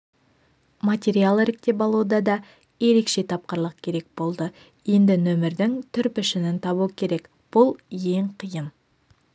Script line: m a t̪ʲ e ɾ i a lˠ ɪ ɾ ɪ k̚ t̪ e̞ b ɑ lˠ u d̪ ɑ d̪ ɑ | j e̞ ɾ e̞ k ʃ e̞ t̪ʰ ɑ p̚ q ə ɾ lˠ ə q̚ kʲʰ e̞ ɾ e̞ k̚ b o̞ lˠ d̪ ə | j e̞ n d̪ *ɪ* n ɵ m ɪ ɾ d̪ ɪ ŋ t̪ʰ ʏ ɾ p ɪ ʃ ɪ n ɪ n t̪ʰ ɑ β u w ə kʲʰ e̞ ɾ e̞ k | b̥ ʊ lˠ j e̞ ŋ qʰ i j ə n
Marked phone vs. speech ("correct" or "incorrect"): correct